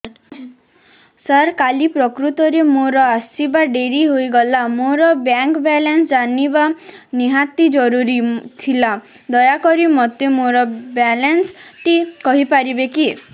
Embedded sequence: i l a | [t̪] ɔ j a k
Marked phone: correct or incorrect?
incorrect